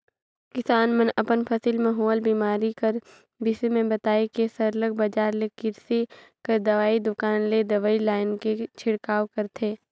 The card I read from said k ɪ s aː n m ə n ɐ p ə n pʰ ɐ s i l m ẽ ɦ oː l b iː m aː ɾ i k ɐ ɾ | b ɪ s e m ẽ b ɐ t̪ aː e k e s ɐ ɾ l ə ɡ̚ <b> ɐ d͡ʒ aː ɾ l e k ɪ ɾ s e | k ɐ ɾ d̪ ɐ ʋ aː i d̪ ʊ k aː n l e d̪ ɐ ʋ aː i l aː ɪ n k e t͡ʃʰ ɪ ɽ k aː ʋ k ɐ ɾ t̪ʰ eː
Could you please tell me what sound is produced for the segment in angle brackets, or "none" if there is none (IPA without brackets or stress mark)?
b